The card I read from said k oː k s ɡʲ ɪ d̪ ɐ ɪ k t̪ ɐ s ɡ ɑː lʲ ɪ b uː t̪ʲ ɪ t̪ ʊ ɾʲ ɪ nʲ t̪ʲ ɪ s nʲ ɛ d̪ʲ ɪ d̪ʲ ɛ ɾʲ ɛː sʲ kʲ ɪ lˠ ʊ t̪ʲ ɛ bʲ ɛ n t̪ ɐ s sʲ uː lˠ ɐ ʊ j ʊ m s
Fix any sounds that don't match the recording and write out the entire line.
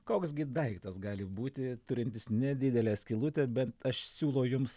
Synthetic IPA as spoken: k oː k s ɡʲ ɪ d̪ ɐ ɪ k t̪ ɐ s ɡ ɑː lʲ ɪ b uː t̪ʲ ɪ t̪ ʊ ɾʲ ɪ nʲ t̪ʲ ɪ s nʲ ɛ d̪ʲ ɪ d̪ʲ ɛ lʲ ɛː sʲ kʲ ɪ lˠ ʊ t̪ʲ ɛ bʲ ɛ n t̪ ɐ ʃ sʲ uː lˠ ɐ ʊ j ʊ m s